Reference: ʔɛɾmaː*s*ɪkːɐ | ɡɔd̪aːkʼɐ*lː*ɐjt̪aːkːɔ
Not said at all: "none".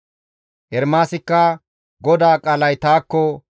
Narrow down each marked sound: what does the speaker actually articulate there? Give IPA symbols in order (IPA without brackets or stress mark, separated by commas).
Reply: s, l